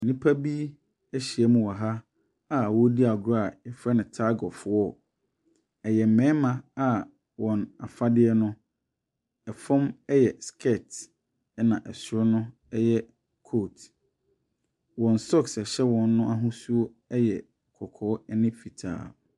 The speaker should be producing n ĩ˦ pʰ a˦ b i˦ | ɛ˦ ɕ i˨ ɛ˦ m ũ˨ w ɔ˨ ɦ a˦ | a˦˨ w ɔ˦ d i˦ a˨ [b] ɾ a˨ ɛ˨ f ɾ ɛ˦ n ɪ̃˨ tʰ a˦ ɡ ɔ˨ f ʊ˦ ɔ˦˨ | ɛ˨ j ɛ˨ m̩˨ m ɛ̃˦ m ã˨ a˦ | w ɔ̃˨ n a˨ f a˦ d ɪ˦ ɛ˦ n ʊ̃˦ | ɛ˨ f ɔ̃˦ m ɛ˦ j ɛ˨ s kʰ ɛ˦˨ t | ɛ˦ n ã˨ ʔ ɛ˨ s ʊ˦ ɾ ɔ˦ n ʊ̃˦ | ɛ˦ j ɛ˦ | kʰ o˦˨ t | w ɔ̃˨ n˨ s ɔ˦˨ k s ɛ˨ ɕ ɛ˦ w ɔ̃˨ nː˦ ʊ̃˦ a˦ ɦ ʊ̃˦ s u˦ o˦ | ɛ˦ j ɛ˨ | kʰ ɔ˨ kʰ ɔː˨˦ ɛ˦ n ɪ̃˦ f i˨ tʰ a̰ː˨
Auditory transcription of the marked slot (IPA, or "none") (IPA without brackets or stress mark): ɡ